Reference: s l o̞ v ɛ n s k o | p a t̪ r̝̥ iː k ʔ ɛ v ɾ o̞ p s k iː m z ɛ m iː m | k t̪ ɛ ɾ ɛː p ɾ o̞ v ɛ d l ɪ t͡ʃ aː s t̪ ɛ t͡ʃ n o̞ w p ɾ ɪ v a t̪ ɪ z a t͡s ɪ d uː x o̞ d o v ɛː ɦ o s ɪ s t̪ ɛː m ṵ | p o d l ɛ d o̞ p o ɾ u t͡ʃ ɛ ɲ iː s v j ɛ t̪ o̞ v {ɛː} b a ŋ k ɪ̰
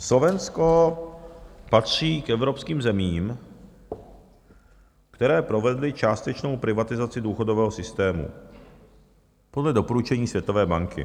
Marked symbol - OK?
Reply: yes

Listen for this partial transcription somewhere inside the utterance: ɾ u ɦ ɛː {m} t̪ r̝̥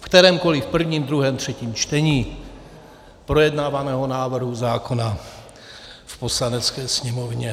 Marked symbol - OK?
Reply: yes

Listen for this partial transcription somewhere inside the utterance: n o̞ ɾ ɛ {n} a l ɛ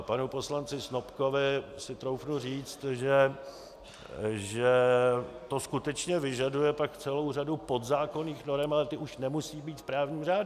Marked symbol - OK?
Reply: no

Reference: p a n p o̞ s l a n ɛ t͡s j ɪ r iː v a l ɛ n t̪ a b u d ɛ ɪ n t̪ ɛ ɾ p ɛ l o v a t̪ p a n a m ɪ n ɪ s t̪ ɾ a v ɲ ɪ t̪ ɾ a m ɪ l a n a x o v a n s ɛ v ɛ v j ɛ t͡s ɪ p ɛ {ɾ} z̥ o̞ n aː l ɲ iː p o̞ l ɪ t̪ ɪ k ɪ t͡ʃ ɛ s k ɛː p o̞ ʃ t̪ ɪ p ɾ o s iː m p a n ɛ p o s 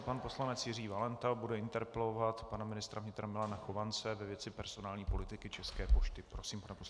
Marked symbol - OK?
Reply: yes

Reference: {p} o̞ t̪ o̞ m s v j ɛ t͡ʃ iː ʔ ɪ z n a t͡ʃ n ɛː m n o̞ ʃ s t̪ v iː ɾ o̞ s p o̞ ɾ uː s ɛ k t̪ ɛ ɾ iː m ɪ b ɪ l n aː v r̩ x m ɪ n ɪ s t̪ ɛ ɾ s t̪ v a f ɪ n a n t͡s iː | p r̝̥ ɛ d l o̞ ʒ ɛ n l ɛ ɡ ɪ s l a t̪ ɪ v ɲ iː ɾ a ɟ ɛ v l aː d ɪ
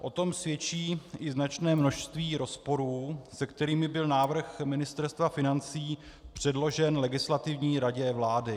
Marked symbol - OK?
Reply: no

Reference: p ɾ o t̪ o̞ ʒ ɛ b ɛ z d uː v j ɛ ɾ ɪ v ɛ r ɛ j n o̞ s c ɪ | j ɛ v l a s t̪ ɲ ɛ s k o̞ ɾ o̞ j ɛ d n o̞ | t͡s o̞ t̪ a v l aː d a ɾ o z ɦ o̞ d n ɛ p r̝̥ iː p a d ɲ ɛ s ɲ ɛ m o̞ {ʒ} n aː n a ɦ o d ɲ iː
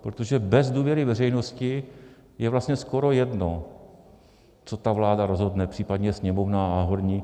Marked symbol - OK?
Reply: no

